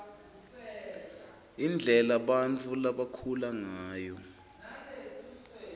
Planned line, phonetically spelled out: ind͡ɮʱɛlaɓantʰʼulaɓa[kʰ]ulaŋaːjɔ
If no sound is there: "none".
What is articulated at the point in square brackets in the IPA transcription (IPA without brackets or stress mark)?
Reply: kʰ